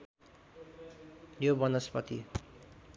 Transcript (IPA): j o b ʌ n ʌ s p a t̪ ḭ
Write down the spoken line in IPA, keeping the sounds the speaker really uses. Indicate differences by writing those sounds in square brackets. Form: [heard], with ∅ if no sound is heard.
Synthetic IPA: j o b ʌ n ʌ s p [ʌ] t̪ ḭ